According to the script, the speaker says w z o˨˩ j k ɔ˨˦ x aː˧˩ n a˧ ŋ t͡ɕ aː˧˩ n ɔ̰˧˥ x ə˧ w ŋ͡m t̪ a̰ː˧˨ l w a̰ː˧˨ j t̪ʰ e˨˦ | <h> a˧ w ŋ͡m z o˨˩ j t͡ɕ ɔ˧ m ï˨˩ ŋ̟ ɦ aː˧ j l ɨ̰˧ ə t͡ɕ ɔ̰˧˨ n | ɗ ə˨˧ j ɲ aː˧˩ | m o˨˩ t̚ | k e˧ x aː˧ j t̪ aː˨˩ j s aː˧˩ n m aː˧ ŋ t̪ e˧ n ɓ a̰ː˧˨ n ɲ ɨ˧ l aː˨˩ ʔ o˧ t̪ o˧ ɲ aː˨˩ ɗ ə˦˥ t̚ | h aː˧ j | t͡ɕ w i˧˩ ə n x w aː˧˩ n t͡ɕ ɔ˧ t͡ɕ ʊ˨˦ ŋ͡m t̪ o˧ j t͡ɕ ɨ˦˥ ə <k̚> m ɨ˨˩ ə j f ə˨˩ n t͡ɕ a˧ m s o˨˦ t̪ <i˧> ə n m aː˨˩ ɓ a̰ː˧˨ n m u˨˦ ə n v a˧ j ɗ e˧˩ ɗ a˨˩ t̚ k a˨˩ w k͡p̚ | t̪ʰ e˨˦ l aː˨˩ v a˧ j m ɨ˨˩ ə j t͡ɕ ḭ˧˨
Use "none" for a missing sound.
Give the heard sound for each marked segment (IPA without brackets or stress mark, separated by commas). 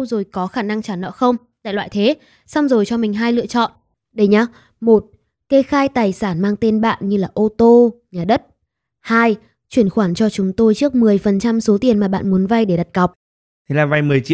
s, k̚, i˨˩